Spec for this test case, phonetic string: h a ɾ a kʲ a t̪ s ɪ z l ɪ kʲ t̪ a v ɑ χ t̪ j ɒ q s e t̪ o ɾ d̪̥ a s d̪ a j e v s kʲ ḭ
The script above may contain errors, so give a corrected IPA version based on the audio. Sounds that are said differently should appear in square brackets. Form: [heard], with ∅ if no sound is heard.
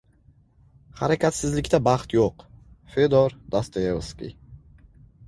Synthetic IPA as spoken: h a ɾ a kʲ a t̪ s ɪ z l ɪ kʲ t̪ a [b] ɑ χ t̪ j [o] q [f] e [d̪] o ɾ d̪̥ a s [t̪] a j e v s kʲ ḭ